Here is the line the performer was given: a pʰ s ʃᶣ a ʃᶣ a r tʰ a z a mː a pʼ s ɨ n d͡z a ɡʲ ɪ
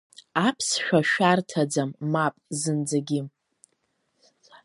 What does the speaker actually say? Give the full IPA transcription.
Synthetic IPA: a pʰ s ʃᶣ a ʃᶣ a r tʰ a d͡z a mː a pʼ z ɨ n d͡z a ɡʲ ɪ